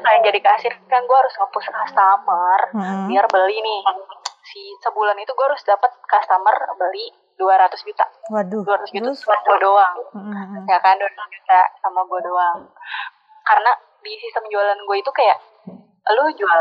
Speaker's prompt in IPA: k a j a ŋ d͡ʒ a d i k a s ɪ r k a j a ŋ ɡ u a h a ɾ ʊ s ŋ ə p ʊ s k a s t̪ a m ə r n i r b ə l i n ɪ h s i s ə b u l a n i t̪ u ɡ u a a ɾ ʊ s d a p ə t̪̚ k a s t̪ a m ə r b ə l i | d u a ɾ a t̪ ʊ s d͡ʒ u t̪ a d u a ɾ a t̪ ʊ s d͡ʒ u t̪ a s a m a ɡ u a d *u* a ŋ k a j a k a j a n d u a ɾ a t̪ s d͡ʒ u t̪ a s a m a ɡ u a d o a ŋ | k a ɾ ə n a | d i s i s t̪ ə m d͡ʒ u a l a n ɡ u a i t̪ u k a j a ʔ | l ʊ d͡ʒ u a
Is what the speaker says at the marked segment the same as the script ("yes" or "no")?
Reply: no